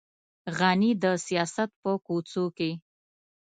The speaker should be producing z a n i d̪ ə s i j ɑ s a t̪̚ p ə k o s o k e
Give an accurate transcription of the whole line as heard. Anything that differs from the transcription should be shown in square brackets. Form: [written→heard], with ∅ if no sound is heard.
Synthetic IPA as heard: [z→ɣ] a n i d̪ ə s i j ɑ s a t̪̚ p ə k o [s→t͡s] o k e